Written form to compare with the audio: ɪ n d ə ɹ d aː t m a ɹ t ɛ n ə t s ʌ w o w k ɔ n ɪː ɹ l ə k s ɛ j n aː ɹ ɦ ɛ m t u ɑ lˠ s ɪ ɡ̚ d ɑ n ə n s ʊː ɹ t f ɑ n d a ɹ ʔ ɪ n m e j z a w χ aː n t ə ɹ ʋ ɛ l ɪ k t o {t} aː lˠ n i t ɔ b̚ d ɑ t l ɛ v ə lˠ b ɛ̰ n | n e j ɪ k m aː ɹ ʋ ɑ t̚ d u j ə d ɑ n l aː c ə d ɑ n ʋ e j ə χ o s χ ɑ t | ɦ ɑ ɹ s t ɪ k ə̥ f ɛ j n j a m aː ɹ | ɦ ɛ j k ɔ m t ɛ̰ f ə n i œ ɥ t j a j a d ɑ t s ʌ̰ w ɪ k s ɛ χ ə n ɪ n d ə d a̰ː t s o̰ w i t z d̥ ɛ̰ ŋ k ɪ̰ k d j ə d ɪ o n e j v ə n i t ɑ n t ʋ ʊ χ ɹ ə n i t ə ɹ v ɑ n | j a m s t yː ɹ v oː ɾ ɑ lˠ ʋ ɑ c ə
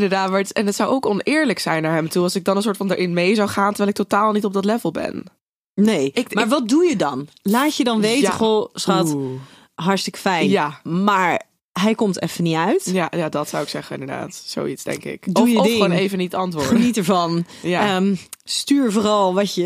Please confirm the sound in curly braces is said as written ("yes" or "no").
yes